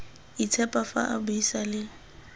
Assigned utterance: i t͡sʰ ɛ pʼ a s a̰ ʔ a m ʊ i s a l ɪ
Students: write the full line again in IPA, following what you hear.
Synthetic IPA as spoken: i t͡sʰ ɛ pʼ a f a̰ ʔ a b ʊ i s a l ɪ